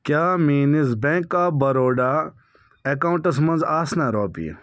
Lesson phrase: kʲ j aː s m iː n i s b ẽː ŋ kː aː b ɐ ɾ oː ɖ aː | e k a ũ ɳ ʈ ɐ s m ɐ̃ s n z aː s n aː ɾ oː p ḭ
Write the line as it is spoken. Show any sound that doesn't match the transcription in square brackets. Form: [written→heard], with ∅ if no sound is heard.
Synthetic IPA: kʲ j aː [s→∅] m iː n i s b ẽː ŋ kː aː b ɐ ɾ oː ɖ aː | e k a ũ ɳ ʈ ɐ s m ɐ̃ [s→∅] n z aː s n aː ɾ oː p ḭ